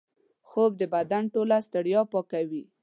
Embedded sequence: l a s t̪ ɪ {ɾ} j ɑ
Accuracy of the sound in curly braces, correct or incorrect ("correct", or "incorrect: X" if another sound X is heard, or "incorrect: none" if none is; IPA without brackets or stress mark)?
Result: incorrect: ɽ